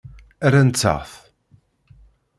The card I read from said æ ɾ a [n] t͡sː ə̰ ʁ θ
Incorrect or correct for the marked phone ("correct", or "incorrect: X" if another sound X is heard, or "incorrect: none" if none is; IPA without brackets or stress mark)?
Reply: correct